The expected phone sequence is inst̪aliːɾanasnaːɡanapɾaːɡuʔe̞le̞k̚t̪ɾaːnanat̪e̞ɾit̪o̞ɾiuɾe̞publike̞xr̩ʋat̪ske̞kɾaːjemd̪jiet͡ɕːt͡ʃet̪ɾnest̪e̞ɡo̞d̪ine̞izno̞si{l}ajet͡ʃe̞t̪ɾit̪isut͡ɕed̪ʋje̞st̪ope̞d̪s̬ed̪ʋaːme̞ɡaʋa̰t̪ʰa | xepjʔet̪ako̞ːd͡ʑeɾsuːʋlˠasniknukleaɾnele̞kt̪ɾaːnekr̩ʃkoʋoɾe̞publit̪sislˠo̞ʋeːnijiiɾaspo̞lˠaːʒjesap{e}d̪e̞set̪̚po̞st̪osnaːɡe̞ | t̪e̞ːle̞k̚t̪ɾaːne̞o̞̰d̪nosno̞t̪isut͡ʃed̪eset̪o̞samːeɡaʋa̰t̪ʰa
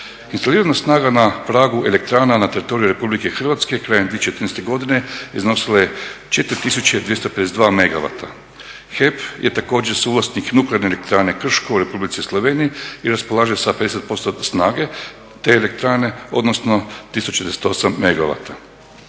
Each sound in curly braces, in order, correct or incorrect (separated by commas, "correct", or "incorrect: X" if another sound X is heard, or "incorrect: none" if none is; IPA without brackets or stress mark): correct, correct